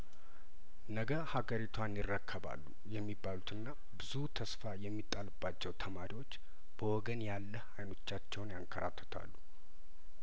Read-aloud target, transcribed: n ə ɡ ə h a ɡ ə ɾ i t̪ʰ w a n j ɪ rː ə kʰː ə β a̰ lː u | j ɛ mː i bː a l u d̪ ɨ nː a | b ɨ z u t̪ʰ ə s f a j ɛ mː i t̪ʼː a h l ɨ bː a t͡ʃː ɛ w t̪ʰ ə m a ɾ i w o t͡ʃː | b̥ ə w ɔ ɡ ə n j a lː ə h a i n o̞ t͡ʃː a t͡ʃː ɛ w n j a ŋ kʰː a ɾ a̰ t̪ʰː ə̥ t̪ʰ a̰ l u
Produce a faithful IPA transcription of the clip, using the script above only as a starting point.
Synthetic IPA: n ə ɡ ə h a ɡ ə ɾ i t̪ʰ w a n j ɪ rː ə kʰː ə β a̰ lː u | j ɛ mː i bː a l u t̪ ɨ nː a | b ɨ z u t̪ʰ ə s f a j ɛ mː i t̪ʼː a l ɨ bː a t͡ʃː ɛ w t̪ʰ ə m a ɾ i w o t͡ʃː | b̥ ə w ɔ ɡ ə n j a lː ə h a j n o̞ t͡ʃː a t͡ʃː ɛ w n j a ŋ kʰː ə ɾ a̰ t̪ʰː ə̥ t̪ʰ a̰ lː u